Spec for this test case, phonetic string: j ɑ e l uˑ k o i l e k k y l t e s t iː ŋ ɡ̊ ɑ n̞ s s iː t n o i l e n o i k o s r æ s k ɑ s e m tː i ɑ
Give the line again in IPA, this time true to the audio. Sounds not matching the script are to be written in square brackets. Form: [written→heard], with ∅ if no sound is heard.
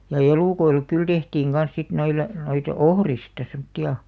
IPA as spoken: j ɑ e l uˑ k o i l e k k y l t e [s→h] t iː ŋ ɡ̊ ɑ n̞ s s [iː→i] t n o i l e n o i [k→t] o [s→h] r [æ→i] s [k→t] ɑ s e m tː i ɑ